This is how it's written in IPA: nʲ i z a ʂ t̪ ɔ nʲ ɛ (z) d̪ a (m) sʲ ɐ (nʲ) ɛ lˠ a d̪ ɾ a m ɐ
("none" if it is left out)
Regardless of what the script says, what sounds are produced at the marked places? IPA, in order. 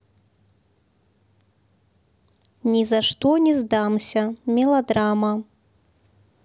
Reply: z, m, mʲ

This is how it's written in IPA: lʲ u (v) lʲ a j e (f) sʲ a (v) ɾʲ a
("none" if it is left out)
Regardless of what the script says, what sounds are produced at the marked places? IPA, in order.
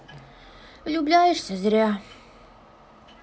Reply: b, ʂ, z

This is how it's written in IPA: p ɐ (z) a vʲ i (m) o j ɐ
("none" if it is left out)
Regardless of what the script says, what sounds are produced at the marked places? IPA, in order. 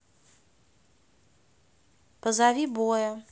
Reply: z, b

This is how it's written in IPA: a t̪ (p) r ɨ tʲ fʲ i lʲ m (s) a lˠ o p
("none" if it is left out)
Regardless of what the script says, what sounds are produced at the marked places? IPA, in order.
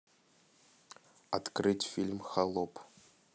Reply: k, x

